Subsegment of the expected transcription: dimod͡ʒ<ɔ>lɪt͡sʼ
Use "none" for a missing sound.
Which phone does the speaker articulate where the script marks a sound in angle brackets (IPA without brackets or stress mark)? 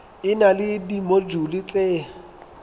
u